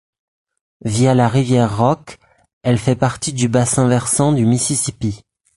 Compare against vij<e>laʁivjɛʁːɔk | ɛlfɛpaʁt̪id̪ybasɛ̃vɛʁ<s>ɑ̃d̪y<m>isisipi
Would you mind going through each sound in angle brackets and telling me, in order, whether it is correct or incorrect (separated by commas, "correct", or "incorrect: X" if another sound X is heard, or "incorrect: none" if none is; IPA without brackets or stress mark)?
incorrect: a, correct, correct